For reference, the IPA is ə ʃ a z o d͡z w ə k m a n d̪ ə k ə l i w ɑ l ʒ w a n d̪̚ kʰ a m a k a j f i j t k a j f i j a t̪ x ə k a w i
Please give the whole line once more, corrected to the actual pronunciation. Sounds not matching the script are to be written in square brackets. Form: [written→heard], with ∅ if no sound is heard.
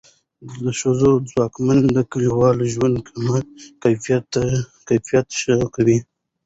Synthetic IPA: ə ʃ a z o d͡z w [ə→ɑ] k m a n d̪ ə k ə l i w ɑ l ʒ w a n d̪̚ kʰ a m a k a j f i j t k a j f i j a t̪ [x→ʃ] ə k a w i